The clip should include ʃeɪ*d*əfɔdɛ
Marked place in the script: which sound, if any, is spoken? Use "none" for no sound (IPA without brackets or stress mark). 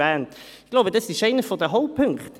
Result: n